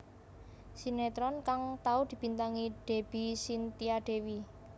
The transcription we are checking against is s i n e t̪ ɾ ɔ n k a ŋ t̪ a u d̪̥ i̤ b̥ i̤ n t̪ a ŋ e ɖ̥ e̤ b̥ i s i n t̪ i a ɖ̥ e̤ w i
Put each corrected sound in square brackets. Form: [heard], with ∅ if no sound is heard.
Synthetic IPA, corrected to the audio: s i n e t̪ ɾ ɔ n k a ŋ t̪ a u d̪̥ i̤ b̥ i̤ n t̪ a ŋ [i] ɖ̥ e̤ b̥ i s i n t̪ i a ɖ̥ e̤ w i